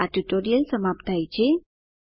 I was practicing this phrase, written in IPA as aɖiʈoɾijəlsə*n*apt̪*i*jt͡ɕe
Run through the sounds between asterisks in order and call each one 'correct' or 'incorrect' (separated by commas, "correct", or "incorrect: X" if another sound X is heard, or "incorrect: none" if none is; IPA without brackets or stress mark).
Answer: incorrect: m, incorrect: a